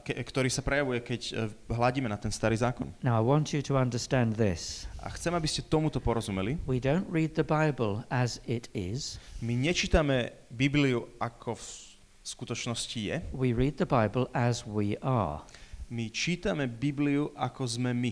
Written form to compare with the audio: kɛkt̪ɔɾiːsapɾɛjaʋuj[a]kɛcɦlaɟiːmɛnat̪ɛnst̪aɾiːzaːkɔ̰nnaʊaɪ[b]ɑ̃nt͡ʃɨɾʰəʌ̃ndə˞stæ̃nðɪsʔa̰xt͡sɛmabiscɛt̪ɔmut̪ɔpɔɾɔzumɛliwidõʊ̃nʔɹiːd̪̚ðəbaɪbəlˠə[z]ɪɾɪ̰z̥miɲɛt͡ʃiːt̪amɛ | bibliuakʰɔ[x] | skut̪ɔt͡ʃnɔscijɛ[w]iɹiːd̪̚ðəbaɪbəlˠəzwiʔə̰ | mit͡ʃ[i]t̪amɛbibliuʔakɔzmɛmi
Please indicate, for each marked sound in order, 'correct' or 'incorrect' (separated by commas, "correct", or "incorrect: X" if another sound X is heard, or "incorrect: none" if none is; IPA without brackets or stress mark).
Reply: incorrect: ɛ, incorrect: w, correct, incorrect: f, correct, incorrect: iː